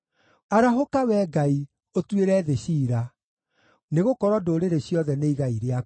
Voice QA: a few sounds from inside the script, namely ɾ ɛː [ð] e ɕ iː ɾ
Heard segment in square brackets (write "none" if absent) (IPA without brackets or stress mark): ð